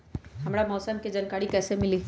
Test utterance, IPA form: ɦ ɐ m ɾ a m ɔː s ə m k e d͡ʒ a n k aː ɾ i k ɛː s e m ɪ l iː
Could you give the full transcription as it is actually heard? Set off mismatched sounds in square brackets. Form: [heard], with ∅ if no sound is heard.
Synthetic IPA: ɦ ɐ m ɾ a m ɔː s ə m k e d͡ʒ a n k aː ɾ i k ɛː s e m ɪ l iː